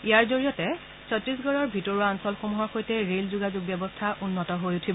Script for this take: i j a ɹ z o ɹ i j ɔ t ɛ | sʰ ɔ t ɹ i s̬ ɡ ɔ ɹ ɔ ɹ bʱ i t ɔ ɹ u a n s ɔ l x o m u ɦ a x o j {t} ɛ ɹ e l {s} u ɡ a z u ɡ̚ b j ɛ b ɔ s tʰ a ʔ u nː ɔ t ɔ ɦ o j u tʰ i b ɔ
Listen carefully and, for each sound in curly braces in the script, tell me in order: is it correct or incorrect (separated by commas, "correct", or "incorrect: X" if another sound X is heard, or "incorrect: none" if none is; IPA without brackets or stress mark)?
correct, incorrect: z